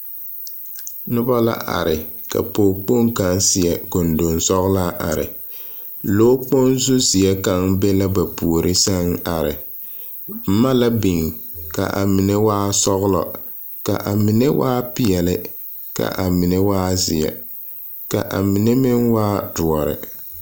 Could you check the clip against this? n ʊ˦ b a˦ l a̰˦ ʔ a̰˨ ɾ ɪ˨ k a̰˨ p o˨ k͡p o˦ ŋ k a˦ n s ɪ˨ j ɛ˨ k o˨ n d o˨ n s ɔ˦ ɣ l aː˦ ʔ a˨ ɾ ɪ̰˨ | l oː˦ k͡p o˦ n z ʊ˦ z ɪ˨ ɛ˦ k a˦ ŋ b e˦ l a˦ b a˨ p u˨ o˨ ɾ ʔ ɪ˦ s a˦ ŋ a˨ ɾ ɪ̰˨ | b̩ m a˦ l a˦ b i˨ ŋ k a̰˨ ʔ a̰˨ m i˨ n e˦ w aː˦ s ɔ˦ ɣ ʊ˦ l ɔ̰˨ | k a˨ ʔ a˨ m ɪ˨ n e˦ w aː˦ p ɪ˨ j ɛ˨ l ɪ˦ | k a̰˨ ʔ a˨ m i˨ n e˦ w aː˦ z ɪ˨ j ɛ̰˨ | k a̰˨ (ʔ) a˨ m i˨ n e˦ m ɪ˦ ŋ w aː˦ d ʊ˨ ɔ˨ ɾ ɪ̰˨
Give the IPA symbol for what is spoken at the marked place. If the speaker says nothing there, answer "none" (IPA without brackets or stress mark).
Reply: ʔ